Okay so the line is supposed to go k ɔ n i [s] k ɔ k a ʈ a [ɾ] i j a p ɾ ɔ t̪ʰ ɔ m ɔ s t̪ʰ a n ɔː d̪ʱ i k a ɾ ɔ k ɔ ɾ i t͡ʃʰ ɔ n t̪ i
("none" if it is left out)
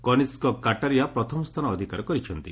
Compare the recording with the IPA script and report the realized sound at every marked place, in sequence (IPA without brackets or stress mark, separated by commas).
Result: s, ɾ